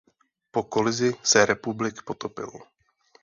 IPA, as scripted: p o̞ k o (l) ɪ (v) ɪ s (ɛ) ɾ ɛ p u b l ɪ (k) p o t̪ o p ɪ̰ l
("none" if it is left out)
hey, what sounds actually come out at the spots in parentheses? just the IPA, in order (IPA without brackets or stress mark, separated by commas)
l, z, ɛ, k